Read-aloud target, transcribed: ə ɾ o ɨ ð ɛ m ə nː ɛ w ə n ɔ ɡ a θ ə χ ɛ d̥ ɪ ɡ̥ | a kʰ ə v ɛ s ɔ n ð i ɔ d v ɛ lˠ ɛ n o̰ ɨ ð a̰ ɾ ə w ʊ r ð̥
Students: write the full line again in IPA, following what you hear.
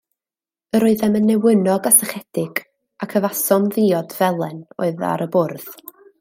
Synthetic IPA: ə ɾ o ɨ ð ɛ m ə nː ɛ w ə n ɔ ɡ a s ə χ ɛ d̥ ɪ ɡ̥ | a kʰ ə v a s ɔ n ð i ɔ d v ɛ lˠ ɛ n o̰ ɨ ð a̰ ɾ ə b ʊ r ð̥